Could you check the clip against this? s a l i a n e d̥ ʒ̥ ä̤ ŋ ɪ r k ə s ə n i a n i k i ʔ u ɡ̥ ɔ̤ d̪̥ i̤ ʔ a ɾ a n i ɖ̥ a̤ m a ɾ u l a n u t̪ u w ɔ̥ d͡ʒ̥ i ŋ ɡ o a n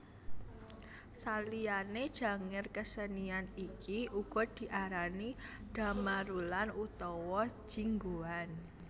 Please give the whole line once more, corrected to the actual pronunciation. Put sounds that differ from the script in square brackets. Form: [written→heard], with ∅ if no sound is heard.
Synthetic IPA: s a l i a n e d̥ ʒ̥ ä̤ ŋ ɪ r k ə s ə n i a n i k i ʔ u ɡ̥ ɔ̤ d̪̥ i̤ ʔ a ɾ a n i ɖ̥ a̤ m a ɾ u l a n u t̪ [u→ɔ] w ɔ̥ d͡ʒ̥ i ŋ ɡ o a n